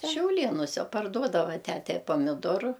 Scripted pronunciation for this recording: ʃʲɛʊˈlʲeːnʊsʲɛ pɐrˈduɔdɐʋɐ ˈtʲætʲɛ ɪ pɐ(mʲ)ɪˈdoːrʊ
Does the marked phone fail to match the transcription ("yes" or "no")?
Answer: no